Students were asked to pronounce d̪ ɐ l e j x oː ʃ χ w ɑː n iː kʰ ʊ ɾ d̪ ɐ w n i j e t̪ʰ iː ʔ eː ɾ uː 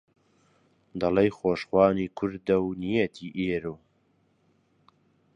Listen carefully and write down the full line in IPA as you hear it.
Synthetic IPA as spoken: d̪ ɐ l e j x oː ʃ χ w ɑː n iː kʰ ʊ ɾ d̪ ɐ w n i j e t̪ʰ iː ʔ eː ɾ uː